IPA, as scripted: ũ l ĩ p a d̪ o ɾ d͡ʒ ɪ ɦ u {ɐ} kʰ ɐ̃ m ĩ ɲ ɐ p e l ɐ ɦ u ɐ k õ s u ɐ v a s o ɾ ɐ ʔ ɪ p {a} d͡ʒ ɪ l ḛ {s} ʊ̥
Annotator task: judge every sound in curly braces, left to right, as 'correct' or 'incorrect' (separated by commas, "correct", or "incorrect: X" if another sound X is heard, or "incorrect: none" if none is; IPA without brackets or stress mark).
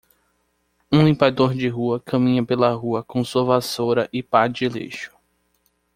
correct, correct, incorrect: ʃ